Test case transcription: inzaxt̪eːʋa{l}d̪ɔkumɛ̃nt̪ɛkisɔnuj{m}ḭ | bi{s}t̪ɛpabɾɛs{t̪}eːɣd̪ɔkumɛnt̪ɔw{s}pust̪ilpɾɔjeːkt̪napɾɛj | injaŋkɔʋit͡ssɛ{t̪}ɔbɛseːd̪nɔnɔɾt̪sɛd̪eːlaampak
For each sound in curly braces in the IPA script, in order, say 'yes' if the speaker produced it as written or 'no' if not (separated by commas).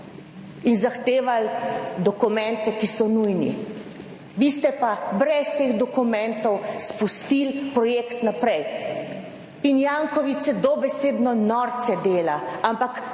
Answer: yes, no, yes, yes, yes, no